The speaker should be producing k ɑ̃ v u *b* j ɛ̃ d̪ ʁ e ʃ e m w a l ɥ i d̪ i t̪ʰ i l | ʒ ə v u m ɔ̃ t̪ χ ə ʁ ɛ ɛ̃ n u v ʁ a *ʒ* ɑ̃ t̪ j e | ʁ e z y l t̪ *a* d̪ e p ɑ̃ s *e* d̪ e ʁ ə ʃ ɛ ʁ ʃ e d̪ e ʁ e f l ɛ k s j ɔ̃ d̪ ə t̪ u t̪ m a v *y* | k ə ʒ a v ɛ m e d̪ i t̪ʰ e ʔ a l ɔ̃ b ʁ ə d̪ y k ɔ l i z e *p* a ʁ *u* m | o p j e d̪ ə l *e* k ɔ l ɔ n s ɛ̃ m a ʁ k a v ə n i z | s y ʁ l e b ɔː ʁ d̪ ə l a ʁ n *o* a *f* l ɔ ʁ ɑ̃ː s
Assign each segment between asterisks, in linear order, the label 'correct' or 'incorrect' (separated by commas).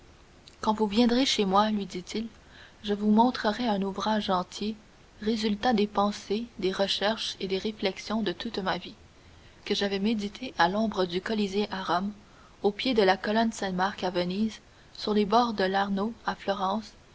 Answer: incorrect, correct, correct, correct, incorrect, incorrect, incorrect, incorrect, correct, correct